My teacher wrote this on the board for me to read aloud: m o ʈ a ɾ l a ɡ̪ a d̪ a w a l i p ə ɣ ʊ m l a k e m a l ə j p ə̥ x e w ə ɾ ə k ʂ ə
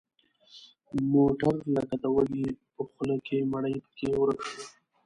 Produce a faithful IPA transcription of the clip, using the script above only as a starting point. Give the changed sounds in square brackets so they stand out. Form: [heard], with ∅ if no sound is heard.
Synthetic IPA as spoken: m o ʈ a ɾ l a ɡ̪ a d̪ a w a l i p ə [x] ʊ [∅] l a k e m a [ɽ] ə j p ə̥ [k] e w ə ɾ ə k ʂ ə